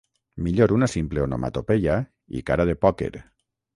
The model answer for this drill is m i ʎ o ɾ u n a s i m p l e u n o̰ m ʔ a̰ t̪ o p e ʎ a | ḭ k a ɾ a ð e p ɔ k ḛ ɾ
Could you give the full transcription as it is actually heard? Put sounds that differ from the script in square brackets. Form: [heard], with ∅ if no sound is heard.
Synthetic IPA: m i ʎ o ɾ u n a s i m p l e [o] n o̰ m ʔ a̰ t̪ o p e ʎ a | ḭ k a ɾ a ð e p ɔ k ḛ ɾ